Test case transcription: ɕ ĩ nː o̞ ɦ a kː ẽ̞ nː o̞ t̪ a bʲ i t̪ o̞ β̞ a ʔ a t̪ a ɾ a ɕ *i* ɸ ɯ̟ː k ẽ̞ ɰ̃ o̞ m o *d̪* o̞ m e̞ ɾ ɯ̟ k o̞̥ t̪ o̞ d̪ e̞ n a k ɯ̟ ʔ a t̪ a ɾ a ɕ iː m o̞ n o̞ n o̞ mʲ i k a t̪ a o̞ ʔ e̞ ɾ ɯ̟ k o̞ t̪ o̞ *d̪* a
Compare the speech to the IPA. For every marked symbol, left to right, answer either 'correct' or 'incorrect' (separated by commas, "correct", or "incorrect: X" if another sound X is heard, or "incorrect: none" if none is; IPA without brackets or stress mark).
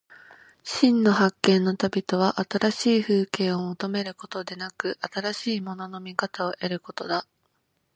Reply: incorrect: iː, incorrect: t̪, correct